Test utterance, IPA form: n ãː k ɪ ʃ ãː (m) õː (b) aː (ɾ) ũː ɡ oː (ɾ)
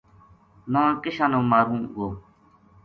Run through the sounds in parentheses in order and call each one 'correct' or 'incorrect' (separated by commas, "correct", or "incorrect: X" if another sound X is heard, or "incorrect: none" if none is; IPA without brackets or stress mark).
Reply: incorrect: n, incorrect: m, correct, incorrect: none